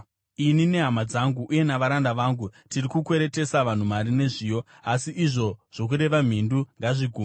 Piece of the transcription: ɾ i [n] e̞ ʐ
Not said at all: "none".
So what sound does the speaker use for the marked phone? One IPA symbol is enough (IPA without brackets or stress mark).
n